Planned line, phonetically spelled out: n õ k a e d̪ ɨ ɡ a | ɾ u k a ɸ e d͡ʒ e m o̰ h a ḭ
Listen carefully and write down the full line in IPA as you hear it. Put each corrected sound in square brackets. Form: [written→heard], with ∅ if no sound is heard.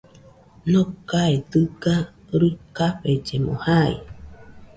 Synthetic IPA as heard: n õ k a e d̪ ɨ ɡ a | ɾ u k a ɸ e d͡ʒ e m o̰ h a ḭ